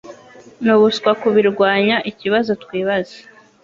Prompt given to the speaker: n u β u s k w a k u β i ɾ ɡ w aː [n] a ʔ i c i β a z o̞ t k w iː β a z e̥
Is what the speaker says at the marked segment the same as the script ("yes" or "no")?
no